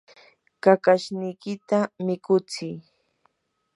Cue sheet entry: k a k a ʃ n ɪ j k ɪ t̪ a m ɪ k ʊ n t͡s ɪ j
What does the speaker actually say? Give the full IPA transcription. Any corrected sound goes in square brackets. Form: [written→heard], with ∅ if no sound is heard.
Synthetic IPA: k a k a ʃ n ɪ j k ɪ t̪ a m ɪ k ʊ [n→∅] t͡s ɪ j